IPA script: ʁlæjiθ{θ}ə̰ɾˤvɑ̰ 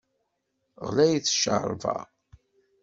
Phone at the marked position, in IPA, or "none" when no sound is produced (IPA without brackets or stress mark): ʃ